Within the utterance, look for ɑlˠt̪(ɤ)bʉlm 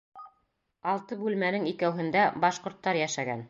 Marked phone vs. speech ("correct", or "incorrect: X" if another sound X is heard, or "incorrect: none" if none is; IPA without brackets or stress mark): correct